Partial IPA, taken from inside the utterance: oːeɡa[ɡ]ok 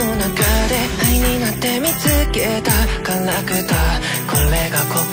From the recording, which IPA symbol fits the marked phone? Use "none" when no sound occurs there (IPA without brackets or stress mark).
k